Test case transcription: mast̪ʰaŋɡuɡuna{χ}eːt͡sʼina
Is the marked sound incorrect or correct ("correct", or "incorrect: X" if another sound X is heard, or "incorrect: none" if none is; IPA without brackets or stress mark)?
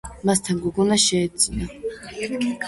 incorrect: ʃ